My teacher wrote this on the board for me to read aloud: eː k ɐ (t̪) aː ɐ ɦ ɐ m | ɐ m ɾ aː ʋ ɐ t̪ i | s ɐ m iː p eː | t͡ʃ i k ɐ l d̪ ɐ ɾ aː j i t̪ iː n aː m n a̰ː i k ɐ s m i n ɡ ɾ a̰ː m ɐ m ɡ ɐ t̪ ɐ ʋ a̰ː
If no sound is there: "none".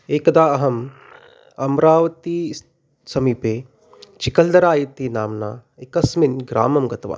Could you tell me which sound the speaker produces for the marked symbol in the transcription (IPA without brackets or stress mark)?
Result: d̪